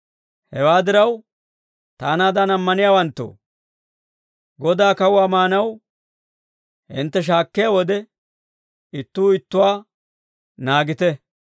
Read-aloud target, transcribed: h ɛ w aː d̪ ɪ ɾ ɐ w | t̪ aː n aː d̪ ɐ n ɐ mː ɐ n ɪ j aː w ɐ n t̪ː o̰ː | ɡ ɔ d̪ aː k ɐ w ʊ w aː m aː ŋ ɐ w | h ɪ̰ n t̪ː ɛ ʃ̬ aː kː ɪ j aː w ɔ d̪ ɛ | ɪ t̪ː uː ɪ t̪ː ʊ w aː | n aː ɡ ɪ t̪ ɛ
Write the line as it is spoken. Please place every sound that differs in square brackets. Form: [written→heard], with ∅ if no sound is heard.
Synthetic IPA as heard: h ɛ w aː d̪ ɪ ɾ ɐ w | t̪ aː n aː d̪ ɐ n ɐ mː ɐ n ɪ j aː w ɐ n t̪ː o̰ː | ɡ ɔ d̪ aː k ɐ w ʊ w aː m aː [ŋ→n] ɐ w | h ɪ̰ n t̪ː ɛ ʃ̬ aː kː ɪ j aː w ɔ d̪ ɛ | ɪ t̪ː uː ɪ t̪ː ʊ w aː | n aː ɡ ɪ t̪ ɛ